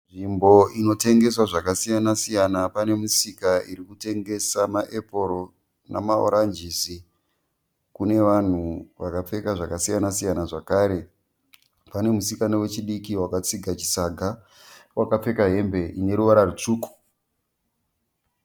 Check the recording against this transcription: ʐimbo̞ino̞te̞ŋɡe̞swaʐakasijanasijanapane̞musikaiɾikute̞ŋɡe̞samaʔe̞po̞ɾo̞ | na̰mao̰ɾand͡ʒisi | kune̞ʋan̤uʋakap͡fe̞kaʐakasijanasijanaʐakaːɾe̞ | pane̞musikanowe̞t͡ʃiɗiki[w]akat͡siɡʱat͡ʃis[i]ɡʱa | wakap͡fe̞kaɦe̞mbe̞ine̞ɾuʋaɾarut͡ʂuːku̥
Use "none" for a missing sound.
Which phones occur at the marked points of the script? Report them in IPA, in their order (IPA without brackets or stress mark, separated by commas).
w, a